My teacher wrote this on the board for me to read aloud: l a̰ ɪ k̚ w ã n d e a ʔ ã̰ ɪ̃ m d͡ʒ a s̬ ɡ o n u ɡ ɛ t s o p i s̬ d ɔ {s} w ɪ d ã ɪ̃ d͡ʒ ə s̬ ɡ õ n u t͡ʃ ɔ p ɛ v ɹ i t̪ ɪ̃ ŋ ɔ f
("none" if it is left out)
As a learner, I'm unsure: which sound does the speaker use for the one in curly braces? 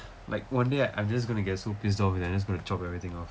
f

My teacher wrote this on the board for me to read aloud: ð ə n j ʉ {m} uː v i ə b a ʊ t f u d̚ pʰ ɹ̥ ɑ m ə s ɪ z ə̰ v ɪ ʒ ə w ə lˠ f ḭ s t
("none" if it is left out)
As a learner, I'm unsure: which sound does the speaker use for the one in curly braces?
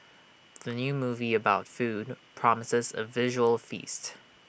m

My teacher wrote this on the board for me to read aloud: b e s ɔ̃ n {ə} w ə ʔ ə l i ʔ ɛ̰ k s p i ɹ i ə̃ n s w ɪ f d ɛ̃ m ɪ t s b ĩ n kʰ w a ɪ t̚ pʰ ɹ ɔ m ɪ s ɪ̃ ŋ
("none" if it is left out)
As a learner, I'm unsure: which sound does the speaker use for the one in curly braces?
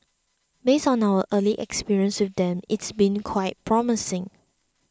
a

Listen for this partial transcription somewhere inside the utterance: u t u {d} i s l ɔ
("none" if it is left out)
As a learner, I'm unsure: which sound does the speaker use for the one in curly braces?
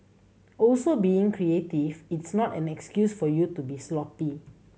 b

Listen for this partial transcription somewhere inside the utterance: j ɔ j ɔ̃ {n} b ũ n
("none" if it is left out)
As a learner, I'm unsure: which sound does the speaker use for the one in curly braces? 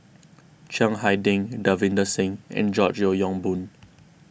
ŋ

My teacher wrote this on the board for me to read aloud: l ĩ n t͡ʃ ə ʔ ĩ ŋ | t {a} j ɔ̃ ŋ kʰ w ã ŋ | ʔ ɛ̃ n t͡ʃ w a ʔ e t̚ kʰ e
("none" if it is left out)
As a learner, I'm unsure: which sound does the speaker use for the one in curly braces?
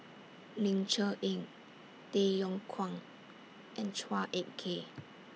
e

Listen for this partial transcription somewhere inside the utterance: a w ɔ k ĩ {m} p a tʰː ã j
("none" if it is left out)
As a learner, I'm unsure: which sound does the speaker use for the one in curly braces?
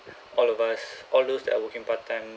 ŋ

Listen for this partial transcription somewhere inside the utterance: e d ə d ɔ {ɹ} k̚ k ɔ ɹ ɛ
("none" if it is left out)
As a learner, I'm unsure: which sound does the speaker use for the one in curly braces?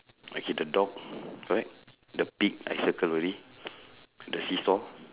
none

